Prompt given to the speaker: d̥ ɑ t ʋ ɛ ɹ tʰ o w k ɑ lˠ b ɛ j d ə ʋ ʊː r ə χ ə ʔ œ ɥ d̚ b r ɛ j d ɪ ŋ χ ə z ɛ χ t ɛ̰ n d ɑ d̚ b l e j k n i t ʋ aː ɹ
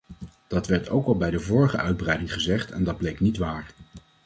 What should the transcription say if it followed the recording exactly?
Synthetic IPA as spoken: d̥ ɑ t ʋ ɛ ɹ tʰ o w k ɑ lˠ b ɛ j d ə v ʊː ɹ ə χ ə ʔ œ ɥ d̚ b r ɛ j d ɪ ŋ χ ə z ɛ χ t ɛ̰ n d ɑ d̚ b l e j k n i t ʋ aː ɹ